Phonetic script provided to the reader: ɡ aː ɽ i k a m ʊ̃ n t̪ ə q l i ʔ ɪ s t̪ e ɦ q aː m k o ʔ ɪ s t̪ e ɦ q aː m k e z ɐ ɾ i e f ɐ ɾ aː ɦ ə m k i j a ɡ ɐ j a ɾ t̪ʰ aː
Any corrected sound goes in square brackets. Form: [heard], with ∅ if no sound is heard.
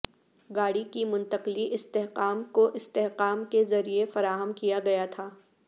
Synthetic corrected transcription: ɡ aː ɽ i k [i] m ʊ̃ n t̪ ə q l i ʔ ɪ s t̪ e ɦ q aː m k o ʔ ɪ s t̪ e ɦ q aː m k e z ɐ ɾ i e f ɐ ɾ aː ɦ ə m k i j a ɡ ɐ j a [∅] t̪ʰ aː